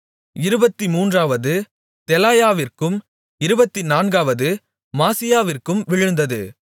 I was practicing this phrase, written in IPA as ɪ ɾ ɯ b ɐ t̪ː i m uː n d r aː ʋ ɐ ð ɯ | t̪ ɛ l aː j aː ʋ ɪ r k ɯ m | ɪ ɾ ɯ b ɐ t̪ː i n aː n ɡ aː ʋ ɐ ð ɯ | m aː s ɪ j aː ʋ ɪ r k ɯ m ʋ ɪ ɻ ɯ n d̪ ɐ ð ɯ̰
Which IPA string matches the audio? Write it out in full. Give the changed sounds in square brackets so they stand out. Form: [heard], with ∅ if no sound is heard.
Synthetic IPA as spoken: ɪ ɾ ɯ b ɐ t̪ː i m uː n d r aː ʋ ɐ ð ɯ | t̪ ɛ l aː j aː ʋ ɪ r k ɯ m | ɪ ɾ ɯ b ɐ t̪ː i n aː n ɡ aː ʋ ɐ ð ɯ | m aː s ɪ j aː ʋ ɪ r k ɯ m ʋ ɪ ɻ ɯ n d̪ ɐ ð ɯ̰

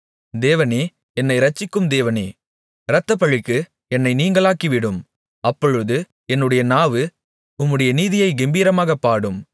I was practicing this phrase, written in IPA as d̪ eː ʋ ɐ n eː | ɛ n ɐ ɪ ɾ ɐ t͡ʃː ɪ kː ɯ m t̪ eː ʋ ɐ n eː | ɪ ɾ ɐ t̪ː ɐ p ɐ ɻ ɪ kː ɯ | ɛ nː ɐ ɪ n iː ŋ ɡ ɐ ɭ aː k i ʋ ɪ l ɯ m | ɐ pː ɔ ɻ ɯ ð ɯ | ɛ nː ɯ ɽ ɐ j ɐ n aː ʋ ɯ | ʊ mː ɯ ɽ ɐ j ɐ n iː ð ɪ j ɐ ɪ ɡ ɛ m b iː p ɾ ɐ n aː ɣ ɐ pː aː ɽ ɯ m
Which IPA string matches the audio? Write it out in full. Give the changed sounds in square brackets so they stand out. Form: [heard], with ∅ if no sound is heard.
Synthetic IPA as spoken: d̪ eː ʋ ɐ n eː | ɛ [nː] ɐ ɪ ɾ ɐ t͡ʃː ɪ kː ɯ m [d̪] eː ʋ ɐ n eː | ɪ ɾ ɐ t̪ː ɐ p ɐ ɻ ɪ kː ɯ | ɛ nː ɐ ɪ n iː ŋ ɡ ɐ ɭ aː k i ʋ ɪ [ɽ] ɯ m | ɐ pː ɔ ɻ ɯ ð ɯ | ɛ nː ɯ ɽ ɐ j ɐ n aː ʋ ɯ | ʊ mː ɯ ɽ ɐ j ɐ n iː ð ɪ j ɐ ɪ ɡ ɛ m b iː [∅] ɾ ɐ [m] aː ɣ ɐ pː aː ɽ ɯ m

